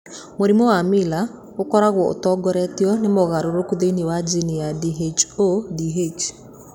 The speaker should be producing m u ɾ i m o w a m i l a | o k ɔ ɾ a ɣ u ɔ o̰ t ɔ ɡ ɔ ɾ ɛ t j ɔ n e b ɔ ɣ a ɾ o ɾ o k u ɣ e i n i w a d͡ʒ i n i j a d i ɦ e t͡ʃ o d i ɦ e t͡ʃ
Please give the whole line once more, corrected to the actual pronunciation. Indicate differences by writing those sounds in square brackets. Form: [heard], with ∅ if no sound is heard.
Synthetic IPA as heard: m [o] ɾ i m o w a m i l a | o k ɔ ɾ a ɣ [w] ɔ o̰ t ɔ ɡ ɔ ɾ ɛ t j ɔ n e [m] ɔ ɣ a ɾ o ɾ o k u [ð] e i n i w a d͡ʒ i n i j a d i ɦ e t͡ʃ o d i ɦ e t͡ʃ